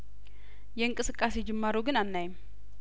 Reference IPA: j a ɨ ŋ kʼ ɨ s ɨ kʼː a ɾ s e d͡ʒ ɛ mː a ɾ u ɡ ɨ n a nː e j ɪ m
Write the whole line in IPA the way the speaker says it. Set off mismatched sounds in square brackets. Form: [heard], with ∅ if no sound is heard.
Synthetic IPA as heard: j [ɛ] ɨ ŋ kʼ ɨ s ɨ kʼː a [∅] s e d͡ʒ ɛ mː a ɾ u ɡ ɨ n a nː [a] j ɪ m